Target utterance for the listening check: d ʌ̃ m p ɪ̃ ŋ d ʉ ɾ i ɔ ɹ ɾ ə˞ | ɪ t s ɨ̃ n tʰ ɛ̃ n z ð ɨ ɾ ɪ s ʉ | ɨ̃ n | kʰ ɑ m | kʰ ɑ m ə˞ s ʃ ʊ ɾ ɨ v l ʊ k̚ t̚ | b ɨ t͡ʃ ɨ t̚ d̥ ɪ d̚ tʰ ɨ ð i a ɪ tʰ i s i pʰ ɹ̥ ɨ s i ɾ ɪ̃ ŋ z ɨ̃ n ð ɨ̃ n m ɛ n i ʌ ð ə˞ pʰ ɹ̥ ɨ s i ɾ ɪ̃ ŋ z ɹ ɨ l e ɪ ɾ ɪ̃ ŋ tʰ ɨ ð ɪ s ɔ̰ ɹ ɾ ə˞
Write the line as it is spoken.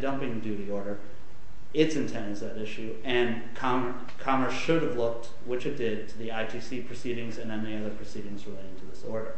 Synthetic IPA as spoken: d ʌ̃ m p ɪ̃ ŋ d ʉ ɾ i ɔ ɹ ɾ ə˞ | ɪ t s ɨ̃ n tʰ ɛ̃ n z ð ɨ ɾ ɪ ʃ ʉ | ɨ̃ n | kʰ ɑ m | kʰ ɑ m ə˞ s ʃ ʊ ɾ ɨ v l ʊ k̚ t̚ | w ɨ t͡ʃ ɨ t̚ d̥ ɪ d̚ tʰ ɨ ð i a ɪ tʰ i s i pʰ ɹ̥ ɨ s i ɾ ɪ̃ ŋ z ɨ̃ n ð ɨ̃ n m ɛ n i ʌ ð ə˞ pʰ ɹ̥ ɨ s i ɾ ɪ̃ ŋ z ɹ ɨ l e ɪ ɾ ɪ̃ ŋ tʰ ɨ ð ɪ s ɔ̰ ɹ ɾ ə˞

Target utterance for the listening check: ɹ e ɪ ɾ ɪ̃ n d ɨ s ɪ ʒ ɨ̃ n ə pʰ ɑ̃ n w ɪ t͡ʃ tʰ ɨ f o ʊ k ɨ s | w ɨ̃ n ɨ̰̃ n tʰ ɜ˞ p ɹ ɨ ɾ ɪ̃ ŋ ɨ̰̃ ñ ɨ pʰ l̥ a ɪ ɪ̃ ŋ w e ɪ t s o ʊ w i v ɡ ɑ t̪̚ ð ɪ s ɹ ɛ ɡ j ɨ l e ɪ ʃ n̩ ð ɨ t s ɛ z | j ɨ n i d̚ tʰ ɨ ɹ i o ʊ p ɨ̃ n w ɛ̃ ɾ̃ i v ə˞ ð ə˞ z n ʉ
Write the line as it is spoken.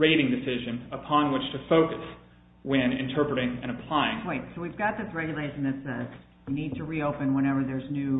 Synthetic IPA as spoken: ɹ e ɪ ɾ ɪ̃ ŋ d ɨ s ɪ ʒ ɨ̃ n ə pʰ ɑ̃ n w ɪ t͡ʃ tʰ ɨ f o ʊ k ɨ s | w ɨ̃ n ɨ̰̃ n tʰ ɜ˞ p ɹ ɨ ɾ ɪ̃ ŋ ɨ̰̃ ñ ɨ pʰ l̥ a ɪ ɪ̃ ŋ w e ɪ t s o ʊ w i v ɡ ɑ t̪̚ ð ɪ s ɹ ɛ ɡ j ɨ l e ɪ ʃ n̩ ð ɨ t s ɛ z | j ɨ n i d̚ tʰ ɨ ɹ i o ʊ p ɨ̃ n w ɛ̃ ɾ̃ ɛ v ə˞ ð ə˞ z n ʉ

